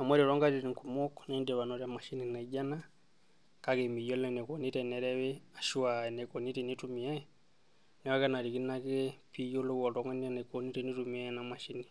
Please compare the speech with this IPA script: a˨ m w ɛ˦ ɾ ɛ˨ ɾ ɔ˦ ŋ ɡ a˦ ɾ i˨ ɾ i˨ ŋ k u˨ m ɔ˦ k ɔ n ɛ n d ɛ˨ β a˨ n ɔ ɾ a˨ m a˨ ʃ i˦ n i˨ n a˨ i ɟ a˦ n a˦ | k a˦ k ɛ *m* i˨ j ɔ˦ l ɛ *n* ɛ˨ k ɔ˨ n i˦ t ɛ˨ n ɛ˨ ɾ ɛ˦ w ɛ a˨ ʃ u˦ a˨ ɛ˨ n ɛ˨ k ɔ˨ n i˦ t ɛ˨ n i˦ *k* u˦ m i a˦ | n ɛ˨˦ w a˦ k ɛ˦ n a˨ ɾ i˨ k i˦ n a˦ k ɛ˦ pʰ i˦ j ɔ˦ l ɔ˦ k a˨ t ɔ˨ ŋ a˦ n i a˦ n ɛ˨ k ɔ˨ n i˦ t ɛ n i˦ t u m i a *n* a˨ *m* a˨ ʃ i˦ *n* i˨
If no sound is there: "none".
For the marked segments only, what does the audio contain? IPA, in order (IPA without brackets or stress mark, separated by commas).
m, n, t, n, m, n